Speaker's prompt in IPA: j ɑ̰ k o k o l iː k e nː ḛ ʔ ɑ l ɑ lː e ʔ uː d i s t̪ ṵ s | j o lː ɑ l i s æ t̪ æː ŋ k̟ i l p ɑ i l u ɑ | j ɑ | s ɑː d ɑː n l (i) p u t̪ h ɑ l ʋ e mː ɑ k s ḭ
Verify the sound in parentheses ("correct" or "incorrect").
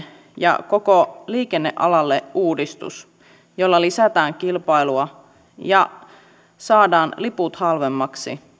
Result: correct